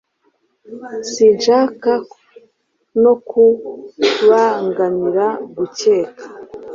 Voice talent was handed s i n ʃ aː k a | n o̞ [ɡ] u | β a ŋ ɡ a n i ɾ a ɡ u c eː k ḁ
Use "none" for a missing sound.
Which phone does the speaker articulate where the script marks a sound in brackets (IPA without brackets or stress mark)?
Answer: k